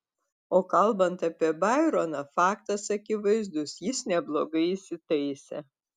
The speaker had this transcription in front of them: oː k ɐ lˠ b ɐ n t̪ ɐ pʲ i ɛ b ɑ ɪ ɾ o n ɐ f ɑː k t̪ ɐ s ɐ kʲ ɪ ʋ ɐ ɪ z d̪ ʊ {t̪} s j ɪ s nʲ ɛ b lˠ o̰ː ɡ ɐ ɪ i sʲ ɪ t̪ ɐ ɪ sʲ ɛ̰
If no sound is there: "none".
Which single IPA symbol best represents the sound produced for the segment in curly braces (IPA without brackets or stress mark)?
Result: none